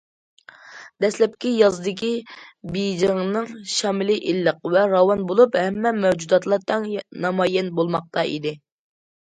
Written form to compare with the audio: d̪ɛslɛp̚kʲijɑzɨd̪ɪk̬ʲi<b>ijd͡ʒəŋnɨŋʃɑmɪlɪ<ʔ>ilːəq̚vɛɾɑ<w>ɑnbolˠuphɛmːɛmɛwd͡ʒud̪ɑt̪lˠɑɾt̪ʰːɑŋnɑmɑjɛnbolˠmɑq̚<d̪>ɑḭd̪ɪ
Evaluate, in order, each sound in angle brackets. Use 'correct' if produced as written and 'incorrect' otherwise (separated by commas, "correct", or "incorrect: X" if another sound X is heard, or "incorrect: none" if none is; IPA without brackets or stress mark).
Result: correct, correct, correct, incorrect: t̪